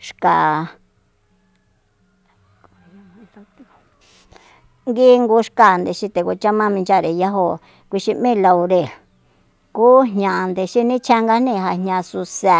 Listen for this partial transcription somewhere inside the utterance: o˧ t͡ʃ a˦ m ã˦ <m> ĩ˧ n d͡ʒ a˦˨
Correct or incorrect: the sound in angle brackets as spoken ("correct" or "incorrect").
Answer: correct